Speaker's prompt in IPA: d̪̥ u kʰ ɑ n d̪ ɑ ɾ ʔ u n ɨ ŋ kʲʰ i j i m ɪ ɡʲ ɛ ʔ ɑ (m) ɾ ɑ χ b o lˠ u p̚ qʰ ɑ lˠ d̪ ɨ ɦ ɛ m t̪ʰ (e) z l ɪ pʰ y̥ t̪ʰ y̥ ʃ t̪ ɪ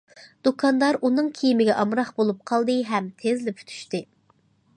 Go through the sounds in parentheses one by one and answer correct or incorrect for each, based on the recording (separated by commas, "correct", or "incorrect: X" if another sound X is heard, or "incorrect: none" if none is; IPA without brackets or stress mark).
correct, correct